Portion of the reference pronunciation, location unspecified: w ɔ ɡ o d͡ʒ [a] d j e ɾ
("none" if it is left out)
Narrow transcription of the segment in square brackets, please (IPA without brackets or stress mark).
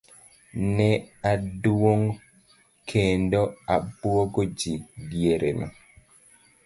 i